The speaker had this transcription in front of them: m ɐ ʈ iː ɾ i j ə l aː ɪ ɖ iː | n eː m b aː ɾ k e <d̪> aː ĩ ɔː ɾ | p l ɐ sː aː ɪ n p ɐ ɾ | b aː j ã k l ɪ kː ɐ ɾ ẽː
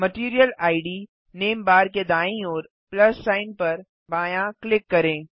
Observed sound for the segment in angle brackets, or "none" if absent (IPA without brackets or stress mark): d̪